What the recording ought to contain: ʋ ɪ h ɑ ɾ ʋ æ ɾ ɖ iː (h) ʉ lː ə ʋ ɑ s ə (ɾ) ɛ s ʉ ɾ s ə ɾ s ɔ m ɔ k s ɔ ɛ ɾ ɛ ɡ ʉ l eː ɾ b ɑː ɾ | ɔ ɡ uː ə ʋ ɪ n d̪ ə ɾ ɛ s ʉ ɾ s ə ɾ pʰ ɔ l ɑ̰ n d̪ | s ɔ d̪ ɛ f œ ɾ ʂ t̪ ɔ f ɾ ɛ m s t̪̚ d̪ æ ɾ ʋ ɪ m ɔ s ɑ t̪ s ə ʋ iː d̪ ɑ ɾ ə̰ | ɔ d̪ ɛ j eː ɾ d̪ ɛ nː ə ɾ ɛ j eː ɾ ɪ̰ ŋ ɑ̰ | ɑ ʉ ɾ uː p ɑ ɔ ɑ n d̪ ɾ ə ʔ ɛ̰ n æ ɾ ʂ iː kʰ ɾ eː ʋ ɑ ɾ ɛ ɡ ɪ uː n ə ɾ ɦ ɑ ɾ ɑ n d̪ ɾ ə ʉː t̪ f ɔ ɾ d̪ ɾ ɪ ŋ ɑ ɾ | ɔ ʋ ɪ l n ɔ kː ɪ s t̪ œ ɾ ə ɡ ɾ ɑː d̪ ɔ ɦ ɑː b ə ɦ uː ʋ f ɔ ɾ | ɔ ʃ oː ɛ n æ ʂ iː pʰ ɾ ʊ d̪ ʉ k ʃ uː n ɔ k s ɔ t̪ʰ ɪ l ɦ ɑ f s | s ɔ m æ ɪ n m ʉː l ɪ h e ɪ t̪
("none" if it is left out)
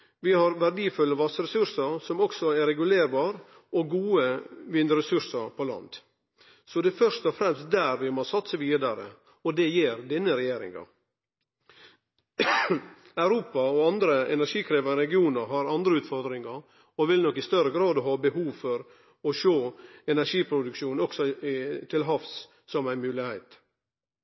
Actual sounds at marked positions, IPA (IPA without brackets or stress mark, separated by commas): f, ɾ